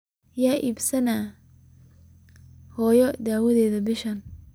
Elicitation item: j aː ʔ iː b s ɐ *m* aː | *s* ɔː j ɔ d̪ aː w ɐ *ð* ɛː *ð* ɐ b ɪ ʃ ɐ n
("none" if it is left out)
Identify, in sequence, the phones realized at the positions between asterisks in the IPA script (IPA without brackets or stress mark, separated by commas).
n, h, ð, ð